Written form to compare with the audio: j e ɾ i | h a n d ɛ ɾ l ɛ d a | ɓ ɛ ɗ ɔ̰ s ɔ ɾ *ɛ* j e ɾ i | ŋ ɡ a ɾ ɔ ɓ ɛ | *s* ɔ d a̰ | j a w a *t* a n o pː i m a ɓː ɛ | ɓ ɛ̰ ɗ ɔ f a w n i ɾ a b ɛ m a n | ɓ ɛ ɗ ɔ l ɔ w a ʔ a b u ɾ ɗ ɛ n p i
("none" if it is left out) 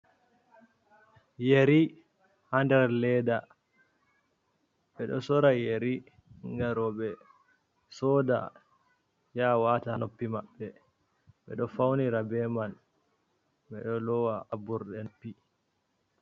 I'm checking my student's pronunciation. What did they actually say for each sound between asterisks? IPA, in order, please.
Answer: a, s, t

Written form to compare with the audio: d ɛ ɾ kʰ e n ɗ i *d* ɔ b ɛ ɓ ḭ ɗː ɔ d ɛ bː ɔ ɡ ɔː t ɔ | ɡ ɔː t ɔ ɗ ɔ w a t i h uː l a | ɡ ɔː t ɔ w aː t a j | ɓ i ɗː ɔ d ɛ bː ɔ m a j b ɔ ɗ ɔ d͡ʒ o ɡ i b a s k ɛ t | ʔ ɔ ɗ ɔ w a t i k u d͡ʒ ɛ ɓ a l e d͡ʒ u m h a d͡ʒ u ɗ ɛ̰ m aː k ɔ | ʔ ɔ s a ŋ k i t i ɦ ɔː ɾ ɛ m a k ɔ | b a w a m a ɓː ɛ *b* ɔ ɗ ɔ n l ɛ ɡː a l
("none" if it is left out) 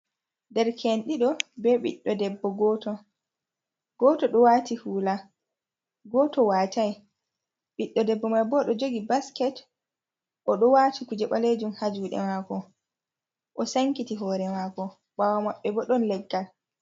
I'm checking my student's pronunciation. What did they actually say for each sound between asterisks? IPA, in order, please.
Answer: ɗ, b

